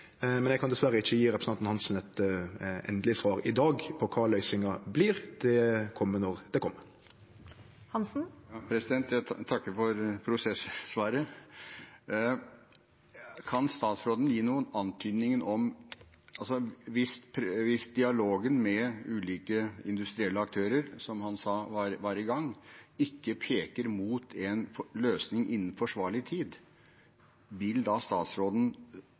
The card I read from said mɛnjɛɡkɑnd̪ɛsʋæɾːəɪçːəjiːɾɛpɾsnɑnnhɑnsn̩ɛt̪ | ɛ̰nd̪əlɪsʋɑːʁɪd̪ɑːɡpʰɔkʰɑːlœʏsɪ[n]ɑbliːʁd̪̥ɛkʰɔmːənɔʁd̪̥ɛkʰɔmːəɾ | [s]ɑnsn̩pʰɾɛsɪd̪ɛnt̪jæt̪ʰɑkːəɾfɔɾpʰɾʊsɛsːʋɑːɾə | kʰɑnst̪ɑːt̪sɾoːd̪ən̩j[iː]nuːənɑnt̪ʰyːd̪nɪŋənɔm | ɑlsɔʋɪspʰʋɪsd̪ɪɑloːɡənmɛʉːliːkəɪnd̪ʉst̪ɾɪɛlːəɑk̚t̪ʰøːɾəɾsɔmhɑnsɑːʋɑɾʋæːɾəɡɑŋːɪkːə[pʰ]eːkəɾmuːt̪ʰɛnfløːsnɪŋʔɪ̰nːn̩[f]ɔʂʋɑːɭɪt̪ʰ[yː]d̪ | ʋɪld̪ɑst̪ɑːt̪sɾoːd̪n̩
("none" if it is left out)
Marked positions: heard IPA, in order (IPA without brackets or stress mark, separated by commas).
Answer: ŋ, h, iː, pʰ, f, iː